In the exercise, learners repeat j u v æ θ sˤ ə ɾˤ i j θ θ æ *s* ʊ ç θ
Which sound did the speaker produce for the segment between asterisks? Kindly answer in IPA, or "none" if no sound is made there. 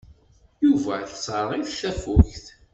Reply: f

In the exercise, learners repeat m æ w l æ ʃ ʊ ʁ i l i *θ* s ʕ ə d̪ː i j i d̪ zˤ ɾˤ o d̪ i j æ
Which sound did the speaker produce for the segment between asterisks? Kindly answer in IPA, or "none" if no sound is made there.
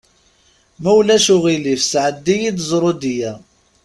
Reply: f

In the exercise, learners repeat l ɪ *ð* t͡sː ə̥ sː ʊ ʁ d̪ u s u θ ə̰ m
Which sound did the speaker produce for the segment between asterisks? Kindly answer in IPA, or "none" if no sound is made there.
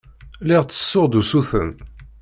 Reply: ʁ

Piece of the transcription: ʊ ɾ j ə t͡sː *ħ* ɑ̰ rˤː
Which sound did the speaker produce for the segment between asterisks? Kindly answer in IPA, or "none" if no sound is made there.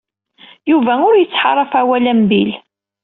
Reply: ħ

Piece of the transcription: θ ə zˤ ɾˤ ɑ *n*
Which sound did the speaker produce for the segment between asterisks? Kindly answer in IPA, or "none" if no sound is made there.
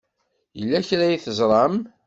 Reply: m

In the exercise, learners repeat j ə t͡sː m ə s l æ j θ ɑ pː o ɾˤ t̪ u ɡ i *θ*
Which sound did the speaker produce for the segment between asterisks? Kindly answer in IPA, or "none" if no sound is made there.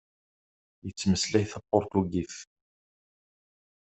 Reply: θ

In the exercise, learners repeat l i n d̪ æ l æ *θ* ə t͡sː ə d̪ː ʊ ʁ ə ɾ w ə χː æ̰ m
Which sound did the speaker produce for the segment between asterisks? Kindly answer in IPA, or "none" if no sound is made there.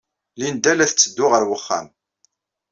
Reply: θ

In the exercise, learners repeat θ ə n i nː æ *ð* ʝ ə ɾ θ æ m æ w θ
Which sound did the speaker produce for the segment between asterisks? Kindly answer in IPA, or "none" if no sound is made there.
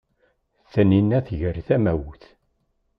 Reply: θ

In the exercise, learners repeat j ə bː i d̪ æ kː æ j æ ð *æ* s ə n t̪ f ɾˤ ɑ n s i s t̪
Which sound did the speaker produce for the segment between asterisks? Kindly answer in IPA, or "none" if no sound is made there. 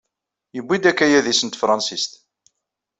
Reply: i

